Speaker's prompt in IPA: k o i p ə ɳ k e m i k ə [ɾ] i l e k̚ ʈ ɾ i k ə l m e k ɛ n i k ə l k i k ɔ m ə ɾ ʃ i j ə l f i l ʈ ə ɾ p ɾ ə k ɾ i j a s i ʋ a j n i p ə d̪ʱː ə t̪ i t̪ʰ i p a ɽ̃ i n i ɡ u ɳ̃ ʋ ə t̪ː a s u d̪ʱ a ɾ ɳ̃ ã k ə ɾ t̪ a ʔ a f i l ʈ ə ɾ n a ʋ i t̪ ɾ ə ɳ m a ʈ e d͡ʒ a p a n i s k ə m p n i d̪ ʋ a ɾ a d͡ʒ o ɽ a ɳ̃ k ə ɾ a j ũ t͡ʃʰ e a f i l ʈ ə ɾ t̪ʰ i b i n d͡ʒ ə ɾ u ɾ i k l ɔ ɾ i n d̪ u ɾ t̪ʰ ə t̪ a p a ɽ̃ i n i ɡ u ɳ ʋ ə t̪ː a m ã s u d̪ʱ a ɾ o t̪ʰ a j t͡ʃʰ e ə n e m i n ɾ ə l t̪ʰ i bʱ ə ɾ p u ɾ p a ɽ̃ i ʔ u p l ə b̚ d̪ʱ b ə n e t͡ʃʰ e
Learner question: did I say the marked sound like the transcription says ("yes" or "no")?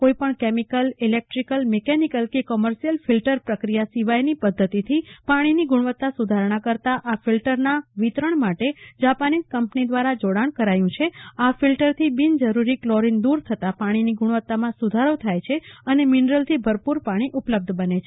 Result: no